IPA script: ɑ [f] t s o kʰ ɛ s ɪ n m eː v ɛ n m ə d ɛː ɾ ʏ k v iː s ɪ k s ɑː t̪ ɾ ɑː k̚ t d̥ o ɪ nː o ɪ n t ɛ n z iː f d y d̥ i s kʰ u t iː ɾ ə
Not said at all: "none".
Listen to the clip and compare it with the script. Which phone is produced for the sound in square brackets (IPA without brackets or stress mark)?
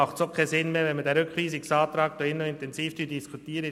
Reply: χ